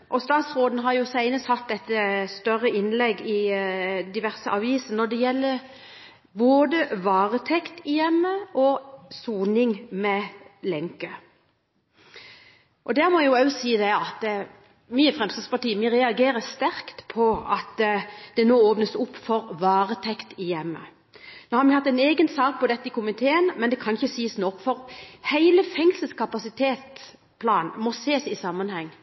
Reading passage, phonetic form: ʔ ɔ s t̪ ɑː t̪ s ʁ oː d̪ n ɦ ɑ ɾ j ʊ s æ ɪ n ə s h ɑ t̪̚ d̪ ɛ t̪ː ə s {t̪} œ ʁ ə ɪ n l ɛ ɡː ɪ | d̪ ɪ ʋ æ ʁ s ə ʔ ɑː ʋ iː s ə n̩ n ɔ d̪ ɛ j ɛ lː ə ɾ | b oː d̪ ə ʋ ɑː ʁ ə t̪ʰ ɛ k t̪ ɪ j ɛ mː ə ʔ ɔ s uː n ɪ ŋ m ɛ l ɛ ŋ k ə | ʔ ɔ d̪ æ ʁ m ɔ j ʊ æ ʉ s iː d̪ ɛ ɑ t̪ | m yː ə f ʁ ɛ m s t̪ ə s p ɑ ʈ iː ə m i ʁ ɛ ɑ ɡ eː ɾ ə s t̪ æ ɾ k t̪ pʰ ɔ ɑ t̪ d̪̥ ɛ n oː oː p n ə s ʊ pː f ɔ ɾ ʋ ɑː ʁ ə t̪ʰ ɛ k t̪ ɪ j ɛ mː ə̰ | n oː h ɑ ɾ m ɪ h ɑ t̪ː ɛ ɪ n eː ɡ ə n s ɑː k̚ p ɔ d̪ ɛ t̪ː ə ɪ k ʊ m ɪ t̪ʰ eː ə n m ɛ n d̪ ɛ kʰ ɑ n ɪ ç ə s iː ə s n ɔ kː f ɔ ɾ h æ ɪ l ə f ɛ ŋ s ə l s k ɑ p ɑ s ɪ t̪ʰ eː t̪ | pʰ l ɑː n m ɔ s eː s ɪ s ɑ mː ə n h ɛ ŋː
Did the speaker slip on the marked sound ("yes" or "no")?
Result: no